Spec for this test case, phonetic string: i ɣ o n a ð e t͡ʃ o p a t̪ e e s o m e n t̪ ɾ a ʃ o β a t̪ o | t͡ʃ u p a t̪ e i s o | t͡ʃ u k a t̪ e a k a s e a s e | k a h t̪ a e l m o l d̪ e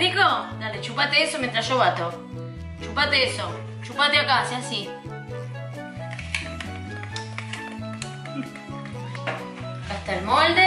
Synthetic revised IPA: i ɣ o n a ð e t͡ʃ u p a t̪ e e s o m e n t̪ ɾ a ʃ o β a t̪ o | t͡ʃ u p a t̪ e e s o | t͡ʃ u p a t̪ e a k a s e a s i | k a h t̪ a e l m o l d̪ e